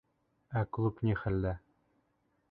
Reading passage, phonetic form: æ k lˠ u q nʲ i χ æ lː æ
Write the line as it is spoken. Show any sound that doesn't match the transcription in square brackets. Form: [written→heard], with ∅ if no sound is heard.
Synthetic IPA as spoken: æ k lˠ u [q→p] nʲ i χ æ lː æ